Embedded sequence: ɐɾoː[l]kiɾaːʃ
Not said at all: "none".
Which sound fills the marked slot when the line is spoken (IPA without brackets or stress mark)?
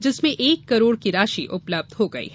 ɽ